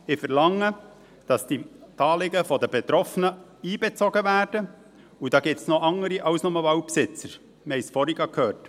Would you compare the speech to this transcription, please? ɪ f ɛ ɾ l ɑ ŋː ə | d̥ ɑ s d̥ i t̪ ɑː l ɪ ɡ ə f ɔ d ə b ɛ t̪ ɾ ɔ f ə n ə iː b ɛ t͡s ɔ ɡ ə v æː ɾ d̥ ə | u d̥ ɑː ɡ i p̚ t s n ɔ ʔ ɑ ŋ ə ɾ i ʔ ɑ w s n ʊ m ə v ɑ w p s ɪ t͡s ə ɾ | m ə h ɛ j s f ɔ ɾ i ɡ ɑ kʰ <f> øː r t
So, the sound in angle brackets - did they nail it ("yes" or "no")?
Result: no